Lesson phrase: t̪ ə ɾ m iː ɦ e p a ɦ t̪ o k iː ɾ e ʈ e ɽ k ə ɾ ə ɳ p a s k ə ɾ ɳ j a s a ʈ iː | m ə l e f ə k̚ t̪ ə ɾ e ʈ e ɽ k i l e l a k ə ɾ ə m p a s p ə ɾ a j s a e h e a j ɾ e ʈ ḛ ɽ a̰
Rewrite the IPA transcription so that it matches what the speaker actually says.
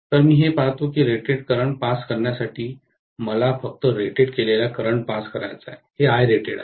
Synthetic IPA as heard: t̪ ə ɾ m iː ɦ e p a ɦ t̪ o k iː ɾ e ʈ e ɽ k ə ɾ ə ɳ p a s k ə ɾ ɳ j a s a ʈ iː | m ə l a f ə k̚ t̪ ə ɾ e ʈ e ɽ k e l e l a k ə ɾ ə ɳ p a s k ə ɾ a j t͡s a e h e a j ɾ e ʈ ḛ ɽ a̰